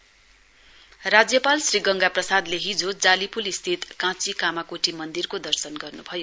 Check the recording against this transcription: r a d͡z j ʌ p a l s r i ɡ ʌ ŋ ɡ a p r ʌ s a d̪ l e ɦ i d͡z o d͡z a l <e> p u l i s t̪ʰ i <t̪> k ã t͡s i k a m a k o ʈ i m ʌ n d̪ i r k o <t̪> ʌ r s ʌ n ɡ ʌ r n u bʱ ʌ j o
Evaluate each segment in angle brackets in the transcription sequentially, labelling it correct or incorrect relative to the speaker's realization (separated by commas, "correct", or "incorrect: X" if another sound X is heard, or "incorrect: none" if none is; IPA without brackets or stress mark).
incorrect: i, correct, incorrect: d̪